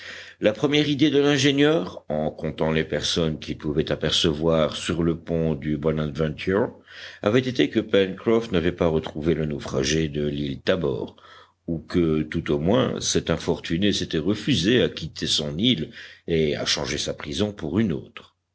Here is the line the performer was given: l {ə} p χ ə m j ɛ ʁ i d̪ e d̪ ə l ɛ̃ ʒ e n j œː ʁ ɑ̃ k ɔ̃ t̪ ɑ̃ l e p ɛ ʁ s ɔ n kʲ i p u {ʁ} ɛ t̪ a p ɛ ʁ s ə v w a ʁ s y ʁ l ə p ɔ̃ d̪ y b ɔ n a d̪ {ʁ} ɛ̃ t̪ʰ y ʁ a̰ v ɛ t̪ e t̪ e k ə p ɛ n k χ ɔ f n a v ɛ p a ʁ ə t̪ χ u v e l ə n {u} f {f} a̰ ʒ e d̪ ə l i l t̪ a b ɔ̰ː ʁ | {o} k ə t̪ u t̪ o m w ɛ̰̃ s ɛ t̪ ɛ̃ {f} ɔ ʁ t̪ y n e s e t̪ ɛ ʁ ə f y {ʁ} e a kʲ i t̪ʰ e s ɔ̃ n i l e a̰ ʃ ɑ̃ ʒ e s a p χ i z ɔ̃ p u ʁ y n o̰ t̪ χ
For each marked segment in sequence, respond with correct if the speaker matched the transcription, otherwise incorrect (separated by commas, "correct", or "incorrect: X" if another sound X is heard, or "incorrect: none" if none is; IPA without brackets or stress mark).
incorrect: a, incorrect: v, incorrect: v, incorrect: o, incorrect: χ, incorrect: u, correct, incorrect: z